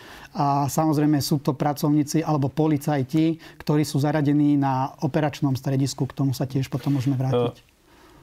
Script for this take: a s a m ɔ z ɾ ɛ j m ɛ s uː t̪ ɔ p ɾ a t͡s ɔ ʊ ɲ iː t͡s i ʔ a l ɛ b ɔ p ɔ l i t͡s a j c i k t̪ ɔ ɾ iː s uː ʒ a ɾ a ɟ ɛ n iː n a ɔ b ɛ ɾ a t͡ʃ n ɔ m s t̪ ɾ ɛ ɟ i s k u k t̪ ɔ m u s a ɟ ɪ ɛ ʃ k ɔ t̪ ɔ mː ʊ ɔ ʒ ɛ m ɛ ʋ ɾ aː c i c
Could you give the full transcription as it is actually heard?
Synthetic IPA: a s a m ɔ z ɾ ɛ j m ɛ s uː t̪ ɔ p ɾ a t͡s ɔ ʊ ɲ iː t͡s i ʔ a l ɛ b ɔ p ɔ l i t͡s a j c i k t̪ ɔ ɾ iː s uː z a ɾ a ɟ ɛ n iː n a ɔ p ɛ ɾ a t͡ʃ n ɔ m s t̪ ɾ ɛ ɟ i s k u k t̪ ɔ m u s a c ɪ ɛ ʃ p ɔ t̪ ɔ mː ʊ ɔ ʒ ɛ m ɛ ʋ ɾ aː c i c